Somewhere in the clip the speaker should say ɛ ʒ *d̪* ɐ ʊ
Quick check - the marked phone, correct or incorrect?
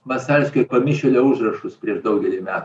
correct